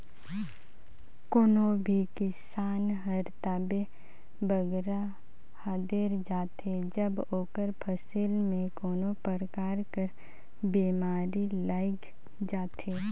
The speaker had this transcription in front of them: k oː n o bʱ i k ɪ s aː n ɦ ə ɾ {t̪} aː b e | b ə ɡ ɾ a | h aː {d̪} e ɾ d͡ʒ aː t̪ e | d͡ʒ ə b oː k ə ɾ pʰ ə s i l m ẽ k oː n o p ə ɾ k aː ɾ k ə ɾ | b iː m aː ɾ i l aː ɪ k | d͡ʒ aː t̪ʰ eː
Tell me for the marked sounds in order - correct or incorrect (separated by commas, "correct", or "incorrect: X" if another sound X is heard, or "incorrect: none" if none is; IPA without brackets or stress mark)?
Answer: correct, correct